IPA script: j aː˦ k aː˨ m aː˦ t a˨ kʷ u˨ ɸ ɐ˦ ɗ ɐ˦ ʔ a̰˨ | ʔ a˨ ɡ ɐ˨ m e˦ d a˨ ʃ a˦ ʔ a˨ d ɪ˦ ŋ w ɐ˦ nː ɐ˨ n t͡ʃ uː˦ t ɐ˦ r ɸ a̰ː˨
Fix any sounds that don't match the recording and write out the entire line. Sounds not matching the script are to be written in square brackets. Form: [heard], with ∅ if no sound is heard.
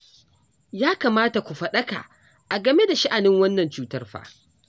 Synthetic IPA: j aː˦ k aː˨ m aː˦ t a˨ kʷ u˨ ɸ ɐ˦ ɗ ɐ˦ [k] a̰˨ | ʔ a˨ ɡ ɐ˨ m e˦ d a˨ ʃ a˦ ʔ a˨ [n] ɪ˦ ŋ w ɐ˦ nː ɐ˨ n t͡ʃ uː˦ t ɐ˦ r ɸ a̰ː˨